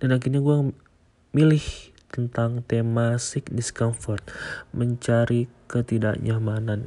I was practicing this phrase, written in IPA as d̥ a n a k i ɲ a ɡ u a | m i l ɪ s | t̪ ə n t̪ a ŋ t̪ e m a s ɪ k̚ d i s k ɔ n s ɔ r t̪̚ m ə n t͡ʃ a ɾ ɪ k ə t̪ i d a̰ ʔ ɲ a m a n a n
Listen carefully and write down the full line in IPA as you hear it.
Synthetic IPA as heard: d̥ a n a k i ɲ a ɡ u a | m i l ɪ h | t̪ ə n t̪ a ŋ t̪ e m a s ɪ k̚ d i s k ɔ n f ɔ r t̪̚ m ə ɲ t͡ʃ a ɾ i k ə t̪ i d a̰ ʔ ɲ a m a n a n